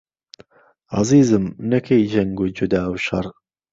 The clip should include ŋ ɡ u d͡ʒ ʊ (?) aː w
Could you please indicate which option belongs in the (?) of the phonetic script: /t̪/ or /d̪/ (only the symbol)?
d̪